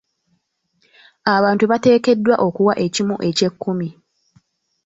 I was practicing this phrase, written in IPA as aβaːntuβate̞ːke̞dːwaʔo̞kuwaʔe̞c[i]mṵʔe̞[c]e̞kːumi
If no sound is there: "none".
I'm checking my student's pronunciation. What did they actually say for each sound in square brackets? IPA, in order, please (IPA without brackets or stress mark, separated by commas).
i, c